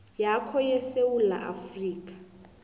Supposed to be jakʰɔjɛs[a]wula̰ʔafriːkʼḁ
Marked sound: incorrect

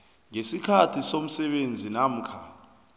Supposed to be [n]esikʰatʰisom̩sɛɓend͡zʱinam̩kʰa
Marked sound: incorrect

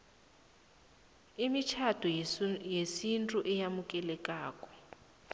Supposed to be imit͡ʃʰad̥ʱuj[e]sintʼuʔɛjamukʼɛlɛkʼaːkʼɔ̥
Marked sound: correct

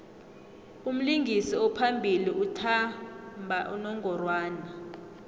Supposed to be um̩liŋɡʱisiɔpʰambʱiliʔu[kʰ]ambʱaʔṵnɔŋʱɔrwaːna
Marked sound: incorrect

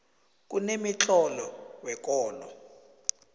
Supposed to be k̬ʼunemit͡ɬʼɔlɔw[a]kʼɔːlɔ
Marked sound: incorrect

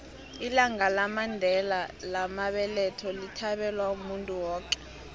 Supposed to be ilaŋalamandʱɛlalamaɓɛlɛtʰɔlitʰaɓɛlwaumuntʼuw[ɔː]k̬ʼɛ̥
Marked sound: correct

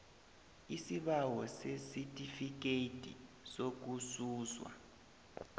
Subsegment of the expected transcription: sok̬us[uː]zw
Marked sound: correct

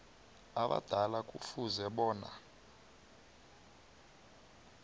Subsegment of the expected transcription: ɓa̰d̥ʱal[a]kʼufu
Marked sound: correct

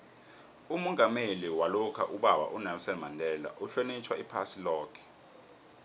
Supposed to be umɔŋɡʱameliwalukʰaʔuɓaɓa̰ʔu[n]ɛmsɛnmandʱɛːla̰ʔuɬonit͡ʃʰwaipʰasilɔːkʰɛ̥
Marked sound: correct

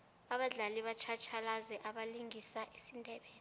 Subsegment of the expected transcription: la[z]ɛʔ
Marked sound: correct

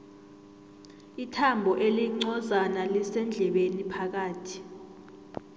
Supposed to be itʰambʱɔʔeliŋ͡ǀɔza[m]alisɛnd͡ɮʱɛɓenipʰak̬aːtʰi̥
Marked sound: incorrect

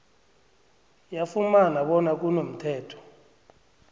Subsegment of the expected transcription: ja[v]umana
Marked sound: incorrect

